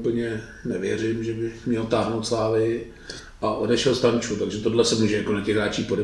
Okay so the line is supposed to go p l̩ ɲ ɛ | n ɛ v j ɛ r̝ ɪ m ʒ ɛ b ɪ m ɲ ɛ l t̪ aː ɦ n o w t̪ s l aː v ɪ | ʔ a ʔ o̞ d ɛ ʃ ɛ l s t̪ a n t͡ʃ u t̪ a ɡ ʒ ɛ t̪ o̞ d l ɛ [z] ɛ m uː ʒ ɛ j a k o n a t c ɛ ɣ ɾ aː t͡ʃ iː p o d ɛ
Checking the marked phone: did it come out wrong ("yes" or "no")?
yes